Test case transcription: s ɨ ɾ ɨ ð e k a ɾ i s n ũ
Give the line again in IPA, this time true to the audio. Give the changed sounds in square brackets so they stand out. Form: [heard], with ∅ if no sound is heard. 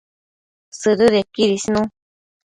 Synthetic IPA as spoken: s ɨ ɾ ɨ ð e k [i] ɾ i s n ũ